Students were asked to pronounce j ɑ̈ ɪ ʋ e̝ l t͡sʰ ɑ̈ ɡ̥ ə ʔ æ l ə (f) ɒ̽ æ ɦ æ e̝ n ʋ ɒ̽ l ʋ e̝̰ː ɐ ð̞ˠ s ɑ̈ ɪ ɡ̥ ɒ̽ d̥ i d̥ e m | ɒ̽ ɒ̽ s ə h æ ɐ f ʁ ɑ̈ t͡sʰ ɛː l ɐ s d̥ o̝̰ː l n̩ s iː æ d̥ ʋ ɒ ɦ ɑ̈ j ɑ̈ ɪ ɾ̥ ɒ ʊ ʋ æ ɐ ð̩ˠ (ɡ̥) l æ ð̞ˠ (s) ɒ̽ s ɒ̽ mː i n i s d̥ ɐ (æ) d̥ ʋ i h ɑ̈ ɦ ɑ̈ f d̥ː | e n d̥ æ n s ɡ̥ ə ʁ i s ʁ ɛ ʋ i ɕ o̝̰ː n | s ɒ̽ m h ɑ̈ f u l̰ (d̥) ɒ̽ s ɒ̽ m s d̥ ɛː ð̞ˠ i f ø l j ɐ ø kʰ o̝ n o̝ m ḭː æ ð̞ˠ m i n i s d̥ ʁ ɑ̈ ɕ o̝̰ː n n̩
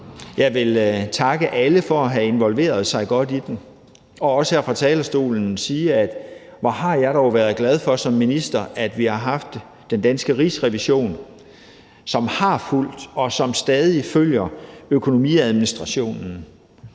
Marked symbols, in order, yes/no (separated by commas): yes, yes, no, yes, yes